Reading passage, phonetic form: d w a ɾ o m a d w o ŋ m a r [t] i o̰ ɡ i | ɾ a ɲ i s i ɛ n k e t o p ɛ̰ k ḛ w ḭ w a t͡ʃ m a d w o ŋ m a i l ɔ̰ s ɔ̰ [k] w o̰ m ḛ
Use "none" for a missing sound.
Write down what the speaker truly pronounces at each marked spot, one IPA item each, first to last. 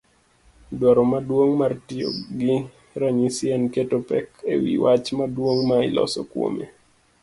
t, k

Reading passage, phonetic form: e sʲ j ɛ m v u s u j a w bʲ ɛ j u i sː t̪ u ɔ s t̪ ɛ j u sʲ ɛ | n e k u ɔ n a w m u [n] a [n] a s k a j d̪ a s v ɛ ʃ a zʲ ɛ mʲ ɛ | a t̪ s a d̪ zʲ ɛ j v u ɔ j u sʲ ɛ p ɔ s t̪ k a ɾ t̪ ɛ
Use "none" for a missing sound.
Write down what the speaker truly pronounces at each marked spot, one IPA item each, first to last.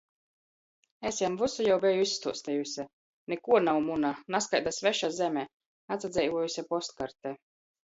n, n

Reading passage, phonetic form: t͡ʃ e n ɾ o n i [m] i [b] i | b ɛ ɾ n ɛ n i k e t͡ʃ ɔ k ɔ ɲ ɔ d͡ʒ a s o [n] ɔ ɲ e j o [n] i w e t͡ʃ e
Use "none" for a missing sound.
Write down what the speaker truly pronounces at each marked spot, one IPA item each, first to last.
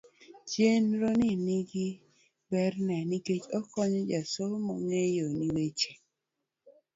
n, ɡ, m, n

